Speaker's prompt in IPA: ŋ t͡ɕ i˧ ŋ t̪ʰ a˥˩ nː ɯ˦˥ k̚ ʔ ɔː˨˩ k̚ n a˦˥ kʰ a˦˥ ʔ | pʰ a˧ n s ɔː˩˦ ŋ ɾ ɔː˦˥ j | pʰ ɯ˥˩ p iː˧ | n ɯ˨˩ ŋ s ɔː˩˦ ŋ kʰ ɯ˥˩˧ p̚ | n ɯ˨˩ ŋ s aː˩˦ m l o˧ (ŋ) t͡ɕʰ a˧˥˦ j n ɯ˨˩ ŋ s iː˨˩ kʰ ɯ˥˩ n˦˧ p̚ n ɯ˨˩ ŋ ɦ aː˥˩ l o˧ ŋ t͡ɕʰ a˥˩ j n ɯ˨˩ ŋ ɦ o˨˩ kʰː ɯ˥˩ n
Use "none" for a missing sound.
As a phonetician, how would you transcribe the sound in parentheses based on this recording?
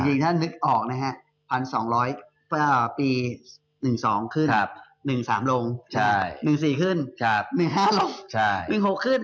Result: ŋ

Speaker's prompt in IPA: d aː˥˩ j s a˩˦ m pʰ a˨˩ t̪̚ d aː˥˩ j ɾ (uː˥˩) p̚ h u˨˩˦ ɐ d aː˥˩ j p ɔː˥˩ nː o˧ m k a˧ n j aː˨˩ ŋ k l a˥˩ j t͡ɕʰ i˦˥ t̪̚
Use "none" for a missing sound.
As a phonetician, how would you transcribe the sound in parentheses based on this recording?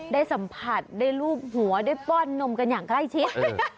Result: uː˥˩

